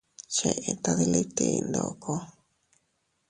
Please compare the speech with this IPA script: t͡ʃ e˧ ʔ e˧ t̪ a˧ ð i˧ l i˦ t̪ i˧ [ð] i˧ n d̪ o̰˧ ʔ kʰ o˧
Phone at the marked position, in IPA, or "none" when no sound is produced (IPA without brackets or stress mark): none